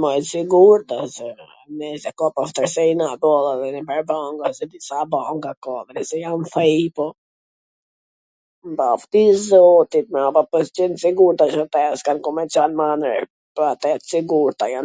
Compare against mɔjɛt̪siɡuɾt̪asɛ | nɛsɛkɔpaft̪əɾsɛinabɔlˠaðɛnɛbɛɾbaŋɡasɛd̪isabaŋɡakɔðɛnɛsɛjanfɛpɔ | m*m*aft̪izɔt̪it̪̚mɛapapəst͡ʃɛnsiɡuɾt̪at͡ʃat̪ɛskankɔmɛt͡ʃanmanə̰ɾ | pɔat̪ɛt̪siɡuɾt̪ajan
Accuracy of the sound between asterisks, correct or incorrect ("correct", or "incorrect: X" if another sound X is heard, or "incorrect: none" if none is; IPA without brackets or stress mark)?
incorrect: b